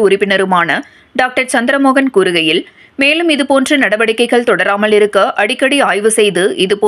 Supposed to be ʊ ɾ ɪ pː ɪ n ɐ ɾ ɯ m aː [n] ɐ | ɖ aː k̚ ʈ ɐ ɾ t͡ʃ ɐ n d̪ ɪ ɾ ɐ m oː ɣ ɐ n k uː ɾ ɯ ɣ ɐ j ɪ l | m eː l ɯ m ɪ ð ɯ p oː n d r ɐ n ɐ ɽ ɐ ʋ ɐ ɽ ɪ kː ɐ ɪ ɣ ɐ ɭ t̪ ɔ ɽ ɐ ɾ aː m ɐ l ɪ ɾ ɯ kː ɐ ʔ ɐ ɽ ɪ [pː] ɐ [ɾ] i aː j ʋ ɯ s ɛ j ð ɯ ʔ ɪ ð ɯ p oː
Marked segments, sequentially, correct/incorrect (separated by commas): correct, incorrect, incorrect